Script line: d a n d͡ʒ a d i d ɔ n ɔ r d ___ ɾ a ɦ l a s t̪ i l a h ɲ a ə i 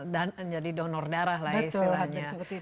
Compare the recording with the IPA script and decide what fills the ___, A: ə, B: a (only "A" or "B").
B